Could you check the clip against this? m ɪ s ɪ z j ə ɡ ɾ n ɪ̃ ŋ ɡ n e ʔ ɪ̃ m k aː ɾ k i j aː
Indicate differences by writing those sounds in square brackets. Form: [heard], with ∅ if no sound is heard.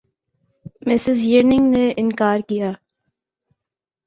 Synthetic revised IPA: m ɪ s ɪ z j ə [∅] ɾ n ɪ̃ ŋ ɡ n e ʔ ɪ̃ [n] k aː ɾ k i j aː